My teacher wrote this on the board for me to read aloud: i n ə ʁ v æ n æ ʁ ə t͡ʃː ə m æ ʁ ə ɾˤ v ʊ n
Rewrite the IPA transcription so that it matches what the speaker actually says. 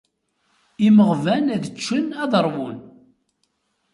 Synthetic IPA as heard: i m ə ʁ v æ n æ ð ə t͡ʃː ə n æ ð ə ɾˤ w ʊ n